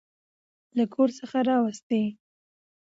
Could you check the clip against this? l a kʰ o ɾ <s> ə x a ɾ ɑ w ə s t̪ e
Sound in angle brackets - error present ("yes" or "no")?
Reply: no